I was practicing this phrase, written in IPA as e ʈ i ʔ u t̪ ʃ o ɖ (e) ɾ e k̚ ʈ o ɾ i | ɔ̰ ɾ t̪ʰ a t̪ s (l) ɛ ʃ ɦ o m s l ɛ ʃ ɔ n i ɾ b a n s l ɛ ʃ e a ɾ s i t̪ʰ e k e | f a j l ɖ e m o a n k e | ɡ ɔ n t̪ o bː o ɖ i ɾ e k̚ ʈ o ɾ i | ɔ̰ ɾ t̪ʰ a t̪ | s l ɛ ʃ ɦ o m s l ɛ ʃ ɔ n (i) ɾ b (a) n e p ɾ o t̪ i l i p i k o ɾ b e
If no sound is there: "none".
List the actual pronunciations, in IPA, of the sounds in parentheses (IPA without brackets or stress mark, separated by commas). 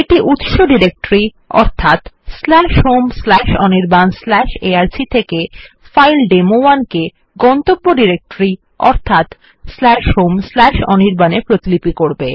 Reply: i, l, i, a